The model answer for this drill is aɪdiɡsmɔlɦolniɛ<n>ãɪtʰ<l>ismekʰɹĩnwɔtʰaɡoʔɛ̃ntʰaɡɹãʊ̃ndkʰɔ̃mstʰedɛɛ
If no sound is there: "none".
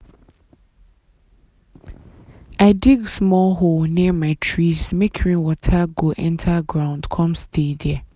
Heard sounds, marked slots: m, ɹ

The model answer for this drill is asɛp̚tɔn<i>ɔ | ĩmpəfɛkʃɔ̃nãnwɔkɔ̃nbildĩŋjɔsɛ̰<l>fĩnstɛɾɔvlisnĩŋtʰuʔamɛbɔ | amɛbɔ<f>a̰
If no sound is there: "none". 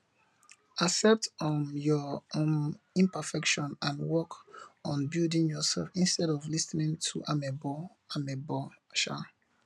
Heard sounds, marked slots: j, l, ʃ

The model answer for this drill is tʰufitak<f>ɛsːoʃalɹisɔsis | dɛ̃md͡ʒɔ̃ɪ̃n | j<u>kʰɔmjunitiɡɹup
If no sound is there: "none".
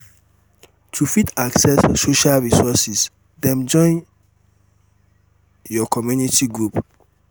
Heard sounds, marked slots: s, ɔ

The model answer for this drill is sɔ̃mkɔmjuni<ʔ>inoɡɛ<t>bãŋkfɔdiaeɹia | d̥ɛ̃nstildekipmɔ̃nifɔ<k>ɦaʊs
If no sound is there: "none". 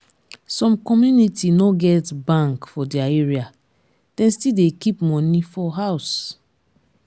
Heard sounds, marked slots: t, t, none

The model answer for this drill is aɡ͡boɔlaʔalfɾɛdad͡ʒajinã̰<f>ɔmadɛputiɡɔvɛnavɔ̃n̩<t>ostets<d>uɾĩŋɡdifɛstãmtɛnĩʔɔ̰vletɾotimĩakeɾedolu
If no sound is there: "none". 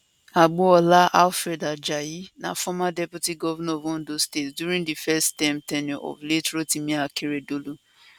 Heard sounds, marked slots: f, d, d

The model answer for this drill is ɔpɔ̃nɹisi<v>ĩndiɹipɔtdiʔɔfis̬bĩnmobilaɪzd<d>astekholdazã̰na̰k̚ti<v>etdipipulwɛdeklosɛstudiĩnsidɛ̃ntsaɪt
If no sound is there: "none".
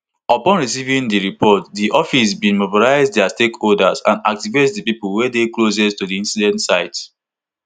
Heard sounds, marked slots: v, d, v

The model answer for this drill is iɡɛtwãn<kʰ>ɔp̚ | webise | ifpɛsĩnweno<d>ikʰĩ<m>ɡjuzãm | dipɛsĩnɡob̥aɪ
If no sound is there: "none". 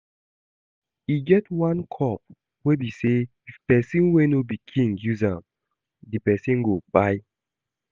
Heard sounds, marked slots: kʰ, b, ŋ

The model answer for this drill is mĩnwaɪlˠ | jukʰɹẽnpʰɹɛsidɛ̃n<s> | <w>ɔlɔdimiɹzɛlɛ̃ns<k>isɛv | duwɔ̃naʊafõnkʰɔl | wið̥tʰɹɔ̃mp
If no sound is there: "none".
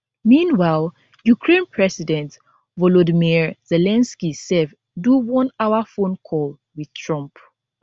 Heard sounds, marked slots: t, v, k

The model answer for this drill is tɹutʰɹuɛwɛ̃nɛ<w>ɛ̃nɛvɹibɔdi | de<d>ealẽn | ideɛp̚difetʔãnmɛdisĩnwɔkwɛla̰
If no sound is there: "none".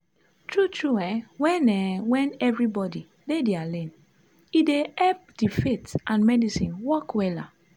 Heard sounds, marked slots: w, d

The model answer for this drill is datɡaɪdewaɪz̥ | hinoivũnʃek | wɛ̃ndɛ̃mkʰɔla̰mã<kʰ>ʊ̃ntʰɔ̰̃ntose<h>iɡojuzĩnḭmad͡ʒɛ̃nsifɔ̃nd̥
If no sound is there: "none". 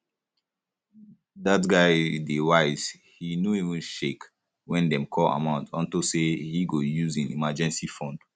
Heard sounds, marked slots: none, h

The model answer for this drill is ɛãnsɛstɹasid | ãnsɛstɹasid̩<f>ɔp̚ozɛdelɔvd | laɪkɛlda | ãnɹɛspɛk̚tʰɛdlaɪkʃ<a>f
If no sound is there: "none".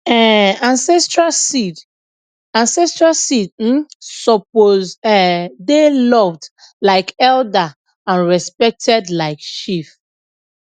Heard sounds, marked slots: s, i

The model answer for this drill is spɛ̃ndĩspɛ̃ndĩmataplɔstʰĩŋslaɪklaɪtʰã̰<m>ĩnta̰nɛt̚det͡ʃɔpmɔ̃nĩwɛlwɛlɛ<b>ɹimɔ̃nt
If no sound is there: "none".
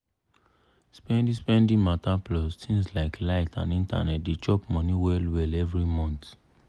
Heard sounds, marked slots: n, v

